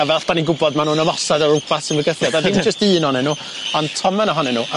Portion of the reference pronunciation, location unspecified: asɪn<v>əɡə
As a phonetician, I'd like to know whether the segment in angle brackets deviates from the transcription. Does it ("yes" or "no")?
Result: no